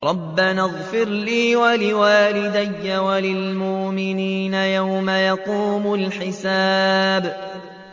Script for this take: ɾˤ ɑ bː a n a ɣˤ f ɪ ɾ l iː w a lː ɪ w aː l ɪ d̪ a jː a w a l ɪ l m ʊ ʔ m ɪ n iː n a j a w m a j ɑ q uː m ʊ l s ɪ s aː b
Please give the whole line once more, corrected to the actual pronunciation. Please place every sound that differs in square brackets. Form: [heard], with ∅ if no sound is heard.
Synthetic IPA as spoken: ɾˤ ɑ bː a n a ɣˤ f ɪ ɾ l iː w a [l] ɪ w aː l ɪ d̪ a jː a w a l ɪ l m ʊ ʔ m ɪ n iː n a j a w m a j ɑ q uː m ʊ l [ħ] ɪ s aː b